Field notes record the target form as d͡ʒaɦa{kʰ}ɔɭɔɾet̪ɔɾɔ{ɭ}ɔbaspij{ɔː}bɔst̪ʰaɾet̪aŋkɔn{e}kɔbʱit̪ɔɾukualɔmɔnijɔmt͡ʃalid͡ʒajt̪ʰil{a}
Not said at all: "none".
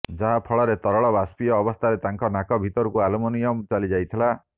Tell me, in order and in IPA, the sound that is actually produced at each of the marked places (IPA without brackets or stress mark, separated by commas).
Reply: pʰ, ɭ, ɔː, a, a